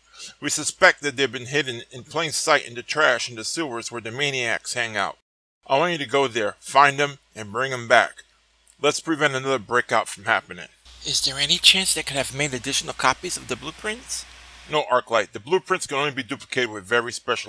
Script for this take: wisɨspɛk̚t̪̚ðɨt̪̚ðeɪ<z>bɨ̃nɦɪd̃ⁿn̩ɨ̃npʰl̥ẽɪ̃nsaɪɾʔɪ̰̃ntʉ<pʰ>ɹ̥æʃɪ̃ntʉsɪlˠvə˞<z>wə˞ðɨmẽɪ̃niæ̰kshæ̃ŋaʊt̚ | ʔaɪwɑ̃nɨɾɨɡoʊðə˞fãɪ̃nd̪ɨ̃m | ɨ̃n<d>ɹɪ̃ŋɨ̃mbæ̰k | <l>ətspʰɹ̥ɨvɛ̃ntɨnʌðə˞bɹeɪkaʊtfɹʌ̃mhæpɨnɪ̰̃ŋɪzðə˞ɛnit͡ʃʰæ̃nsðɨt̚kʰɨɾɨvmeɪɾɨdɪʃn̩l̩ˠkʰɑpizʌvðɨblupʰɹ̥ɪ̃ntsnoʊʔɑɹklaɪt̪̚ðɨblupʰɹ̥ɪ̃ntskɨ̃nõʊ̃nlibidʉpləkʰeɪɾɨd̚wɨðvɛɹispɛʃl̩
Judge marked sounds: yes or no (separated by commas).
no, no, yes, no, yes